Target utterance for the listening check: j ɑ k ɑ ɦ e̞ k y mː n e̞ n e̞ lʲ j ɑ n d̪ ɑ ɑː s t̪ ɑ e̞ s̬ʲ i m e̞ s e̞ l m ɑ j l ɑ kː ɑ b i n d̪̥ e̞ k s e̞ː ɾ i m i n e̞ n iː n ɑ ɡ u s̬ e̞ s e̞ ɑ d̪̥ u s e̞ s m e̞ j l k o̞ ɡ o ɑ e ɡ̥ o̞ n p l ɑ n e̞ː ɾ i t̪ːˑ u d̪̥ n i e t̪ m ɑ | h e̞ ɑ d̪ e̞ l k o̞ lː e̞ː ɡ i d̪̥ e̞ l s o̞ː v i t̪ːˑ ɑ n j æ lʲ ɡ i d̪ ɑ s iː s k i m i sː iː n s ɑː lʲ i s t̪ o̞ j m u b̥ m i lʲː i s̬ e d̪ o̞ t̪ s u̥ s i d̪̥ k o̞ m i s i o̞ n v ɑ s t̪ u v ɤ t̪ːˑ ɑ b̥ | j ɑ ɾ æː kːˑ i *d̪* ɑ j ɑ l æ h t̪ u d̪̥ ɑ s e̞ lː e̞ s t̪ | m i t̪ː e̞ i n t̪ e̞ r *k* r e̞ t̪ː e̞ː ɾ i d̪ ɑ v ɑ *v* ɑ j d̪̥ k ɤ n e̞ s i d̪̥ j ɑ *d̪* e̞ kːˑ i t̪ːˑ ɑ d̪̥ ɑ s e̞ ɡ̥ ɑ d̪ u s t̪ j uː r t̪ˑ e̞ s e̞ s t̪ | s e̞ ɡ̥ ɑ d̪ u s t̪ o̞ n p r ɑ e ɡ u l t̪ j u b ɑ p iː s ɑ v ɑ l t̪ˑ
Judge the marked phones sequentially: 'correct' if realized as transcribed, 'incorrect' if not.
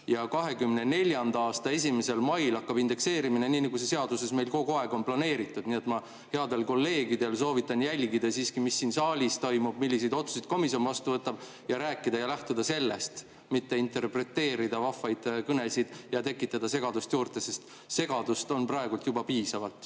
correct, incorrect: p, incorrect: f, incorrect: t̪

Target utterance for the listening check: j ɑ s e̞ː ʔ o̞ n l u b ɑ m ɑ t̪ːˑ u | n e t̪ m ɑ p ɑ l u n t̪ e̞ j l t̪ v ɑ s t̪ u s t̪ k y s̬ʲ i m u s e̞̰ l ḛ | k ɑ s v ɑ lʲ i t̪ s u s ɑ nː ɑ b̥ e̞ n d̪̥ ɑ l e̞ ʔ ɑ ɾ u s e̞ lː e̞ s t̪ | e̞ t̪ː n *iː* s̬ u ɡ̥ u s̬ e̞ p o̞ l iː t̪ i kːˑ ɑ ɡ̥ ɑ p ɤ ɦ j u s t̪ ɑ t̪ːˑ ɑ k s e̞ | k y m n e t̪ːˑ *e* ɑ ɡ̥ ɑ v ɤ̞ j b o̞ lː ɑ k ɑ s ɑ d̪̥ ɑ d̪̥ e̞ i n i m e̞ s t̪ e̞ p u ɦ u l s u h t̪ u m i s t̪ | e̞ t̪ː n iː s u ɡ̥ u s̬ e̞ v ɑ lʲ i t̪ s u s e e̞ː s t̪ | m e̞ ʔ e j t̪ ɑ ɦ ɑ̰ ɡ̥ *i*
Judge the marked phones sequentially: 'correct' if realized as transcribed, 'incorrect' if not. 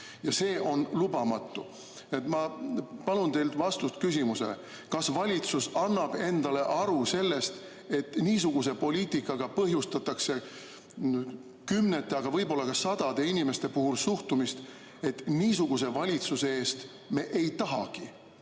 correct, correct, correct

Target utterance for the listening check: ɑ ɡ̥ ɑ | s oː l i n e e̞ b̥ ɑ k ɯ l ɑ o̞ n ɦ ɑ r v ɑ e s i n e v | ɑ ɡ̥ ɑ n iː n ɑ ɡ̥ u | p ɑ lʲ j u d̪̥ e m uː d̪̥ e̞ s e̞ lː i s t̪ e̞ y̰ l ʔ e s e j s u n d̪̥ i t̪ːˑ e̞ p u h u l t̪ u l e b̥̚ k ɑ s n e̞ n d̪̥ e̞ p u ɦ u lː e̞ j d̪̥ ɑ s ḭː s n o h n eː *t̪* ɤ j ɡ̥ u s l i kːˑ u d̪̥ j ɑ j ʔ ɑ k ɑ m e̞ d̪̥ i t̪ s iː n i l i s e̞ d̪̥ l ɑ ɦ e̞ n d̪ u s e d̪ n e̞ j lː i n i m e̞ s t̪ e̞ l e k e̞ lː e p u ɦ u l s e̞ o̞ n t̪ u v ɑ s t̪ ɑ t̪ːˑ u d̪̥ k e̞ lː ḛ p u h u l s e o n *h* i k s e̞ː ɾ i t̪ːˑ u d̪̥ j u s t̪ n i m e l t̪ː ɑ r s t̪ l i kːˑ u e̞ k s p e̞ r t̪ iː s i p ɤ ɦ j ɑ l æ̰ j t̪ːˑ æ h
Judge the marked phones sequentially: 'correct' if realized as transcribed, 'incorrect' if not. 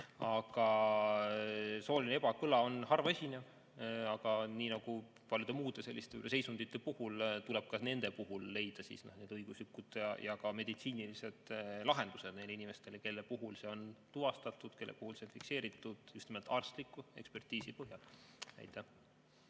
incorrect: d̪, incorrect: f

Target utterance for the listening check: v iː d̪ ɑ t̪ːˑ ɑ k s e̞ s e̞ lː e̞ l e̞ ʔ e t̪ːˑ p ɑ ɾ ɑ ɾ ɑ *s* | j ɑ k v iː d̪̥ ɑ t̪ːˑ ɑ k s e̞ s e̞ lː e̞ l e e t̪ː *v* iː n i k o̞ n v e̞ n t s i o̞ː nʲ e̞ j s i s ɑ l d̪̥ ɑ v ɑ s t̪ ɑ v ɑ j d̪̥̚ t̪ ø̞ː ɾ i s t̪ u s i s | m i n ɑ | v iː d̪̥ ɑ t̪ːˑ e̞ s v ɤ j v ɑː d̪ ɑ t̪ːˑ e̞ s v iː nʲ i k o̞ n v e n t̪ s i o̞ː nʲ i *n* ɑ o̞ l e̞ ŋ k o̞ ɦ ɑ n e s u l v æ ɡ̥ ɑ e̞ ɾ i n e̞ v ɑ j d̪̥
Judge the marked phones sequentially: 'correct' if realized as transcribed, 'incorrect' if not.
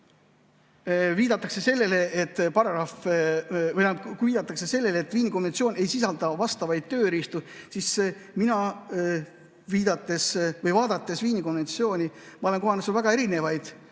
incorrect: f, correct, incorrect: m

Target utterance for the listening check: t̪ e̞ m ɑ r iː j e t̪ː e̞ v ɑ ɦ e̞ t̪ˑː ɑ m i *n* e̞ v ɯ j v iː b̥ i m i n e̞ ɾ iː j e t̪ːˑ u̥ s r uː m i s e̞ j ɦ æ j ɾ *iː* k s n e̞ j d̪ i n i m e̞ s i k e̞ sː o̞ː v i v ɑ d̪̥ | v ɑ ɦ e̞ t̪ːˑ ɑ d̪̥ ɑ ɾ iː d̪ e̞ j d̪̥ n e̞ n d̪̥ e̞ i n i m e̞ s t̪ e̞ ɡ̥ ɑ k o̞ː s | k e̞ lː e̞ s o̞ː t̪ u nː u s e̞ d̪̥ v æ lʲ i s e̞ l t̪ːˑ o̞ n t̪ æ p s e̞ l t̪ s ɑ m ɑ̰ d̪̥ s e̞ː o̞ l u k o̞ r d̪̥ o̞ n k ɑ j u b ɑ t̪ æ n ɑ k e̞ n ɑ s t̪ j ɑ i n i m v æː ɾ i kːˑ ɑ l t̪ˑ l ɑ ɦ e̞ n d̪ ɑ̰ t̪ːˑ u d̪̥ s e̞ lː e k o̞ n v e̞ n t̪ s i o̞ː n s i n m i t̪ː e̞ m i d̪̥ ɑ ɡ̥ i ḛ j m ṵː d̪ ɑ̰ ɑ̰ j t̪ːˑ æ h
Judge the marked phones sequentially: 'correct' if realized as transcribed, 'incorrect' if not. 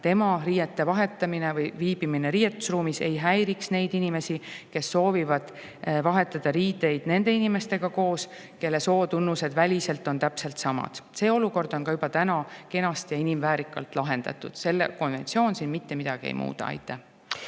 correct, incorrect: i

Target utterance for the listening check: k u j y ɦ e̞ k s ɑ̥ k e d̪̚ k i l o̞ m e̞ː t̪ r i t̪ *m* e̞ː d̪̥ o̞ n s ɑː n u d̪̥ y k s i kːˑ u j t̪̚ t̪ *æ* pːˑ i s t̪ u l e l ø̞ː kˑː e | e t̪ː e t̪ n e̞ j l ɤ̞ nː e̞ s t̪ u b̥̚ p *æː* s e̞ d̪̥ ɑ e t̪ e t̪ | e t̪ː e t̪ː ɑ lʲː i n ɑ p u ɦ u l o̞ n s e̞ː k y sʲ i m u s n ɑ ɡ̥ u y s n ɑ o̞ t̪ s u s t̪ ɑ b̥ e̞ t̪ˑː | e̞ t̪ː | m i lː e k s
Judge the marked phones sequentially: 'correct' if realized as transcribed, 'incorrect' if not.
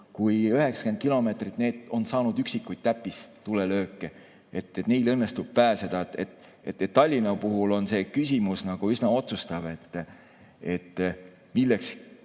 incorrect: n, correct, correct

